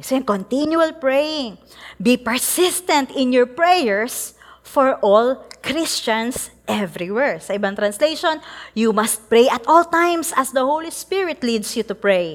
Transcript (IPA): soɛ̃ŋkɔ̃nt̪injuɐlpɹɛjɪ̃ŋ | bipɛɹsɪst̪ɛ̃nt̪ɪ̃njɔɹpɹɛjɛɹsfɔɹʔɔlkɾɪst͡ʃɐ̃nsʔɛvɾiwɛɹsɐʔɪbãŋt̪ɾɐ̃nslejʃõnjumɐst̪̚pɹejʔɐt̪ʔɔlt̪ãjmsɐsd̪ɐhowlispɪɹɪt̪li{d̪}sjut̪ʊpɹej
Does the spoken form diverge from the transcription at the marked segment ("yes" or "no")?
no